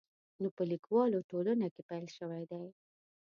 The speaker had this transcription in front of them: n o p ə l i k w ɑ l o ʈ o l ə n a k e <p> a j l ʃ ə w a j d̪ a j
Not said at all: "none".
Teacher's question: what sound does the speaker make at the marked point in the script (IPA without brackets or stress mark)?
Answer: p